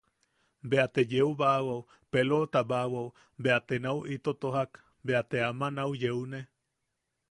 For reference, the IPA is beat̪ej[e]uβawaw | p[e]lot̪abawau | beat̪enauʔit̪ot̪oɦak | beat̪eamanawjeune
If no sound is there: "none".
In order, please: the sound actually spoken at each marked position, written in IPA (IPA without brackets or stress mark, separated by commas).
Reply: e, e